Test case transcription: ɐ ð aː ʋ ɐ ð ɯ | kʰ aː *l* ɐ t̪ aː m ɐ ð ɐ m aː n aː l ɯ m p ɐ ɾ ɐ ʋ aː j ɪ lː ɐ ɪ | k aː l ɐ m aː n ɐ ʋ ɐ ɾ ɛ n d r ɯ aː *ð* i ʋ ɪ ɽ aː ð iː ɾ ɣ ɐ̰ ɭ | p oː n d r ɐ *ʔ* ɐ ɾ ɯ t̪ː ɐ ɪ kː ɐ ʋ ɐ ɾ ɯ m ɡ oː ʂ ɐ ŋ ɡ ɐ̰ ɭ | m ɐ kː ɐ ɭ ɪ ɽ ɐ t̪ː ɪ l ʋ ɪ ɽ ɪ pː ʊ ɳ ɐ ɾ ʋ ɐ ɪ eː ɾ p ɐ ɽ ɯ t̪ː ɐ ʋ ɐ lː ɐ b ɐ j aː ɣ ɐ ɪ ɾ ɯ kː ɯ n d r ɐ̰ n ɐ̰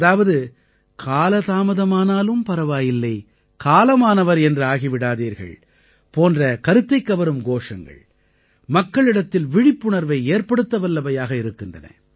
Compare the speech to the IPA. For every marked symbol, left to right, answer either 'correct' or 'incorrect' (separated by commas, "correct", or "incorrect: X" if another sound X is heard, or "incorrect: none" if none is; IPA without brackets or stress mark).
correct, incorrect: ɣ, incorrect: k